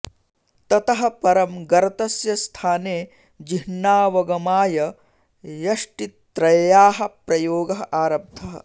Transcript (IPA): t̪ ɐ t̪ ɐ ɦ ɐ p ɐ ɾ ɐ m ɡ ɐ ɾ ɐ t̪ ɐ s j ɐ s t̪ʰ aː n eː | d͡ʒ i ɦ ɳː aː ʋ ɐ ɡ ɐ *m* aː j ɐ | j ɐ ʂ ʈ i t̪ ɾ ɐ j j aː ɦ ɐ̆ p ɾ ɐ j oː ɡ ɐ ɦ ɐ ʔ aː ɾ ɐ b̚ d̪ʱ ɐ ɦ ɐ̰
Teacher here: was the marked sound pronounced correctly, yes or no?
yes